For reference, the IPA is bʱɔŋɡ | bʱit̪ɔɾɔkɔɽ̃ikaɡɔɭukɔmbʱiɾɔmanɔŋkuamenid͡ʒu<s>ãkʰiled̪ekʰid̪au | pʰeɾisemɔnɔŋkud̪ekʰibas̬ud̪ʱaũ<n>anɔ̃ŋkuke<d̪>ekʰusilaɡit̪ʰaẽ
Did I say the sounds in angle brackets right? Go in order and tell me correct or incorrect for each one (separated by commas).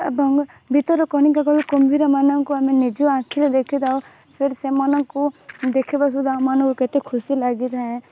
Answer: incorrect, incorrect, incorrect